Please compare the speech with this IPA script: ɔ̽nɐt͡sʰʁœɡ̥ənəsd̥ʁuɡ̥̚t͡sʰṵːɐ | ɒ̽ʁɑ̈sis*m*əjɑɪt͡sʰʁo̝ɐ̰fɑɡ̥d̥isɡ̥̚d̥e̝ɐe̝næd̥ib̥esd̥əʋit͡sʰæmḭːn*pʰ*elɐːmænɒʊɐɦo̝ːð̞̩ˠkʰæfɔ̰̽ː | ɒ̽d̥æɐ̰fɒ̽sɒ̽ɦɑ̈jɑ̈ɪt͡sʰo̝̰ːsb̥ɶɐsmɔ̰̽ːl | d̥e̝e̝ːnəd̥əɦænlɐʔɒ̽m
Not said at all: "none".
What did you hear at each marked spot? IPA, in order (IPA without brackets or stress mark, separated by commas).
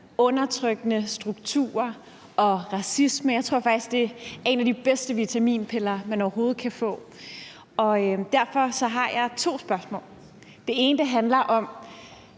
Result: m, pʰ